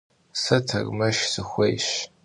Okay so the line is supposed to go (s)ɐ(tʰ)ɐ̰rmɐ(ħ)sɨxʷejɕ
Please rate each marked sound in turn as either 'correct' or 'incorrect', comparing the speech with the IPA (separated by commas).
correct, correct, incorrect